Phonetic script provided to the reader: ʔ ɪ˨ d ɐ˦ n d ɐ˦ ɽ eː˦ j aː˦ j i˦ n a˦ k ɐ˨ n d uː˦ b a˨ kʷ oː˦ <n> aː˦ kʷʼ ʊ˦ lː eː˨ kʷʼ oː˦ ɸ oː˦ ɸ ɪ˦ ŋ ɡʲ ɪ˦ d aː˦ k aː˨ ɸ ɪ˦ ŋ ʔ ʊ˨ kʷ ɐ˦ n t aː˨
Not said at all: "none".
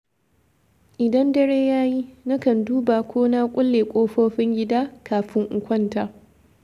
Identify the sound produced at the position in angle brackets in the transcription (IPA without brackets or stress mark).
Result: n